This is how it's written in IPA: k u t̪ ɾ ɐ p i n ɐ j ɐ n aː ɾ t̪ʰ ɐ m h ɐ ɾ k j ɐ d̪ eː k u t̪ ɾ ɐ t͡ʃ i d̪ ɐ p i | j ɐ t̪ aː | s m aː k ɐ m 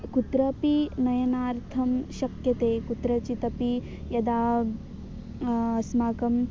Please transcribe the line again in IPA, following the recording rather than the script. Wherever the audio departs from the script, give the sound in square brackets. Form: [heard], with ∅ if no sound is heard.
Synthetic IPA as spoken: k u t̪ ɾ ɐ p i n ɐ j ɐ n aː ɾ t̪ʰ ɐ m [ʃ] ɐ [∅] k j ɐ [t̪] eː k u t̪ ɾ ɐ t͡ʃ i [t̪] ɐ p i | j ɐ [d̪] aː | s m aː k ɐ m